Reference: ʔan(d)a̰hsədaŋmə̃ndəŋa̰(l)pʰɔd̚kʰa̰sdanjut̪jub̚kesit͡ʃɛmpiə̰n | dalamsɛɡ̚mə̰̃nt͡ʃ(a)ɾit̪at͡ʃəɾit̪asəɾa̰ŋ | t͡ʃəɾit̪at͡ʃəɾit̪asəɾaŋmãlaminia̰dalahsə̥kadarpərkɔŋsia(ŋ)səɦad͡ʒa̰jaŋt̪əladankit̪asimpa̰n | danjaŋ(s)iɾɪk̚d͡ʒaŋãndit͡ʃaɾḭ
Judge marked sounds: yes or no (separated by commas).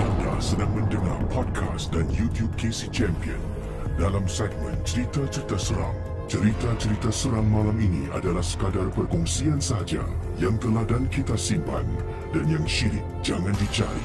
yes, no, no, no, no